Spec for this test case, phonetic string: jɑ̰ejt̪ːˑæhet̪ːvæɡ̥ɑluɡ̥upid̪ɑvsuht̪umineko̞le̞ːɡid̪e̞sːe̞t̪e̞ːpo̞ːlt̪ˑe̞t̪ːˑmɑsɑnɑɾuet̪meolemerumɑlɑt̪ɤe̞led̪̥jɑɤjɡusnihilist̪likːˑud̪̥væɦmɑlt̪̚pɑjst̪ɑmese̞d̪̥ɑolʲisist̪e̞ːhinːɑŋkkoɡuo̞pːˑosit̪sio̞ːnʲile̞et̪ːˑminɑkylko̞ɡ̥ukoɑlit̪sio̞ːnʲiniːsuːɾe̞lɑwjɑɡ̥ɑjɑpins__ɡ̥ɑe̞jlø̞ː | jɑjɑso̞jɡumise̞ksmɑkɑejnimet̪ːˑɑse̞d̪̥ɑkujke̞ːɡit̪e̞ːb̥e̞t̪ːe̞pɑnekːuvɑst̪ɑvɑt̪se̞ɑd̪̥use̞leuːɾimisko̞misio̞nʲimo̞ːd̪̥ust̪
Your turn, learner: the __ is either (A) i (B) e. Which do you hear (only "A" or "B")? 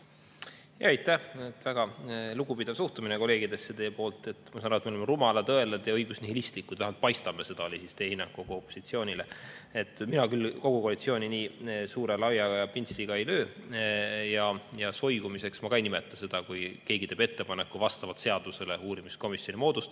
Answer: A